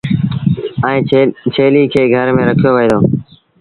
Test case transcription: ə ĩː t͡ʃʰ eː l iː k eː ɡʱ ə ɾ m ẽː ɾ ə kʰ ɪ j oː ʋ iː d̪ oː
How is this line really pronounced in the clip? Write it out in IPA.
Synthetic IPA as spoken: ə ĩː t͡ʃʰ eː l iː kʰ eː ɡʱ ə ɾ m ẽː ɾ ə kʰ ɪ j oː ʋ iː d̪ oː

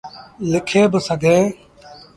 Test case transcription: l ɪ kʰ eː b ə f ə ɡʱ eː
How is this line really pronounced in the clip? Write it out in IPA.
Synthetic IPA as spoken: l ɪ kʰ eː b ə s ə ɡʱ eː

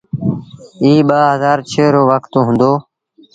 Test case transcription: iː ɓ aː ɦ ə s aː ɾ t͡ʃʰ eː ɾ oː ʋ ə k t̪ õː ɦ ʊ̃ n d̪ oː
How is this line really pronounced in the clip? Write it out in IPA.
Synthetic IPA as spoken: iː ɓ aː ɦ ə z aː ɾ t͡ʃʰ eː ɾ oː ʋ ə k t̪ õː ɦ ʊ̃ n d̪ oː

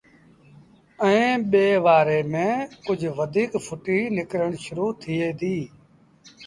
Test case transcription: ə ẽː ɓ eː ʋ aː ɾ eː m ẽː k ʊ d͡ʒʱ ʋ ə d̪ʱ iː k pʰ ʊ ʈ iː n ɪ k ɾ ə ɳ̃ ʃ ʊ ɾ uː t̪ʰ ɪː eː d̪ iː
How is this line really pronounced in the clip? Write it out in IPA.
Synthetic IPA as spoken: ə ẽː ɓ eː ʋ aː ɾ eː m ẽː k ʊ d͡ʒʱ ʋ ə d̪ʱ iː k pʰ ʊ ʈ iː n ɪ k ɾ ə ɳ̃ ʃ ʊ ɾ uː t̪ʰ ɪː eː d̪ iː

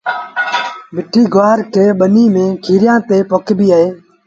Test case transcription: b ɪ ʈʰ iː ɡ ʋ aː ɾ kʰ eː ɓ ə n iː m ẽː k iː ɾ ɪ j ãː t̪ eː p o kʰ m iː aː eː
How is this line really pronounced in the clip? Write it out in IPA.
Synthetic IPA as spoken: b ɪ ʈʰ iː ɡ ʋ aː ɾ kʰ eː ɓ ə n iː m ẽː kʰ iː ɾ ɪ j ãː t̪ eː p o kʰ b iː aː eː

